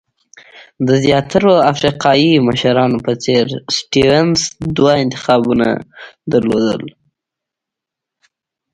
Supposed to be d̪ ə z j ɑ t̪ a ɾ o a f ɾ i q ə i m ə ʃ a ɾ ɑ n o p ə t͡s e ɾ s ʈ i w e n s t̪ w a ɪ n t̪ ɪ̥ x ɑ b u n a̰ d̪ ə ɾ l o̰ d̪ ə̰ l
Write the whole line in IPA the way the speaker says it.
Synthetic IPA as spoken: d̪ ə z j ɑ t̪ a ɾ o a f ɾ i q ɑ i m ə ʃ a ɾ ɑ n o p ə t͡s e ɾ s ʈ i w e n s d̪ w a ɪ n t̪ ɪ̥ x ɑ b u n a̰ d̪ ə ɾ l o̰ d̪ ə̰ l